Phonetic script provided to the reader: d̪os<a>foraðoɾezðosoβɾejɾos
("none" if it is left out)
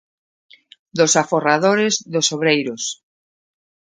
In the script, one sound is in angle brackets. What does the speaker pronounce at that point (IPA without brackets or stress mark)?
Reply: a